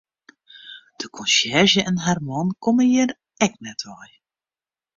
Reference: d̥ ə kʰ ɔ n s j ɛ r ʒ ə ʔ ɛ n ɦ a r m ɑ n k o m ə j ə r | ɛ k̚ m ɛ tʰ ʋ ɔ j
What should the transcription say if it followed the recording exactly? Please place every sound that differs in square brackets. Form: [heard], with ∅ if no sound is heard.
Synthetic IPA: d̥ ə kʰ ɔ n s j ɛ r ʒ ə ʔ ɛ n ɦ a r m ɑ n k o m ə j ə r | ɛ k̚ [n] ɛ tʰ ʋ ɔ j